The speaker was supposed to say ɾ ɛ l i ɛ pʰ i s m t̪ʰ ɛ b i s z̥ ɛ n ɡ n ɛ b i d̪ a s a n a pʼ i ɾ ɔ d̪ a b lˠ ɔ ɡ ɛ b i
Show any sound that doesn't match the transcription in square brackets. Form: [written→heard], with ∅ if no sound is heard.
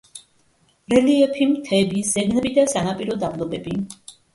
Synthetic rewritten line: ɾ ɛ l i ɛ pʰ i [s→∅] m t̪ʰ ɛ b i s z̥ ɛ [n→∅] ɡ n ɛ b i d̪ a s a n a pʼ i ɾ ɔ d̪ a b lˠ ɔ [ɡ→b] ɛ b i